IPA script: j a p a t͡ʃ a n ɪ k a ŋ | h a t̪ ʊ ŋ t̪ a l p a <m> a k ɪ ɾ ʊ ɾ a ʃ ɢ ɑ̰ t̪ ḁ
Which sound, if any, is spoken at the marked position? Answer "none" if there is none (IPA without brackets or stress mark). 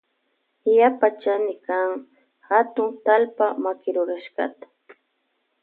m